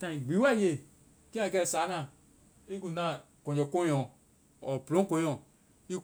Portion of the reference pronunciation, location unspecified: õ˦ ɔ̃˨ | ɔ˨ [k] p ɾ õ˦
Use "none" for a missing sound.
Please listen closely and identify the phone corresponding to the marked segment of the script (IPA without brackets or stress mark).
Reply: none